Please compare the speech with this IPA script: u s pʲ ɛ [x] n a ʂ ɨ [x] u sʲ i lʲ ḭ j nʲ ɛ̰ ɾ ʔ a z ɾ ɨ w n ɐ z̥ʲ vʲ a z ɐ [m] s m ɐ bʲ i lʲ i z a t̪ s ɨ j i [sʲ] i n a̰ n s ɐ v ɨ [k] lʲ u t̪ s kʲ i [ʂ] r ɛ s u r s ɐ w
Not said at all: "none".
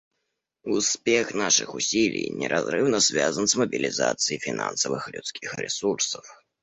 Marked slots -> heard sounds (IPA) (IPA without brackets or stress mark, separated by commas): x, x, n, fʲ, x, x